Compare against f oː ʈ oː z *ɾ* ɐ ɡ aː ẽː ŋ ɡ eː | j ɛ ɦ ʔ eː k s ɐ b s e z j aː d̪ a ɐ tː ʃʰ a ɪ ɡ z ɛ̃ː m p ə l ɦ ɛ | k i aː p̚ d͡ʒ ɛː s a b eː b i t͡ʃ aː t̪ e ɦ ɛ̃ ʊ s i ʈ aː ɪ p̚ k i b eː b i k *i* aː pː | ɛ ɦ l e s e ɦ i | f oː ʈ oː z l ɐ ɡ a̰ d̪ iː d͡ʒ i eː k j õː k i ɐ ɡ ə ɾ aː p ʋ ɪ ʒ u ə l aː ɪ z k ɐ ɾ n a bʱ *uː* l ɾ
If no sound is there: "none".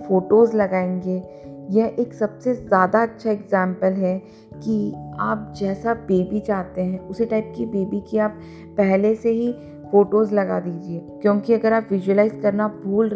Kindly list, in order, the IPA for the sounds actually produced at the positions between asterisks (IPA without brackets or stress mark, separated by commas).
l, i, uː